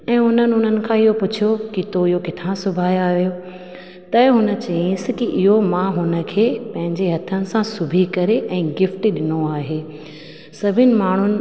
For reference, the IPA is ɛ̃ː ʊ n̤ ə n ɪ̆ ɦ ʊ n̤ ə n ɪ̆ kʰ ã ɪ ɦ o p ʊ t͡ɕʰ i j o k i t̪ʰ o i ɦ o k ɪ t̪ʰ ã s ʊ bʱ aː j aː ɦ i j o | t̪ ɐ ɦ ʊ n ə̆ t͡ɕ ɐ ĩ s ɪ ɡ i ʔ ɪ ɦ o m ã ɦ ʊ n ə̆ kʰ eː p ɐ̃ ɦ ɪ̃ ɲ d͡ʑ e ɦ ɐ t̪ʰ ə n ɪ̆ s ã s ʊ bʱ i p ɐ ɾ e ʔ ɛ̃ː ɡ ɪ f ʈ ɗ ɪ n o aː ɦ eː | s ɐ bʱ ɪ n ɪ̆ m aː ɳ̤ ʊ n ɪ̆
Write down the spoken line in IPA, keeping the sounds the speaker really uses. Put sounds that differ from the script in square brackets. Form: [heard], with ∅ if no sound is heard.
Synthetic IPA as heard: ɛ̃ː ʊ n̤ ə n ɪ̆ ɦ ʊ n̤ ə n ɪ̆ kʰ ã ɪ ɦ o p ʊ t͡ɕʰ i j o k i [t̪] o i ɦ o k ɪ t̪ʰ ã s ʊ bʱ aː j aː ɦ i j o | t̪ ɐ ɦ ʊ n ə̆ t͡ɕ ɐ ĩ s ɪ [k] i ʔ ɪ ɦ o m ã ɦ ʊ n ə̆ kʰ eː p ɐ̃ ɦ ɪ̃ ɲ d͡ʑ e ɦ ɐ t̪ʰ ə n ɪ̆ s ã s ʊ bʱ i [k] ɐ ɾ e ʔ ɛ̃ː ɡ ɪ f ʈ ɗ ɪ n o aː ɦ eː | s ɐ bʱ ɪ n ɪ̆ m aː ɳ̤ ʊ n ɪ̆